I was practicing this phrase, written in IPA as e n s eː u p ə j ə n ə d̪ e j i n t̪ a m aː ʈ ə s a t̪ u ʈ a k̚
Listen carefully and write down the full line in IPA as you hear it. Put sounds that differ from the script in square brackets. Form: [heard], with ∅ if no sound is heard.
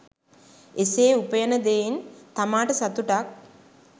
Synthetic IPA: e [∅] s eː u p ə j ə n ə d̪ e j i n t̪ a m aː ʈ ə s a t̪ u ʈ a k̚